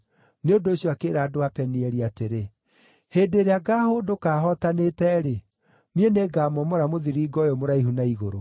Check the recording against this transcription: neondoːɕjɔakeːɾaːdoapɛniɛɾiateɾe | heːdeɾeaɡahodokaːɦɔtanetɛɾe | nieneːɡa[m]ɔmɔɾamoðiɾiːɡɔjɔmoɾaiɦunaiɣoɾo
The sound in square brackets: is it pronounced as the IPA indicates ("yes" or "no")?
yes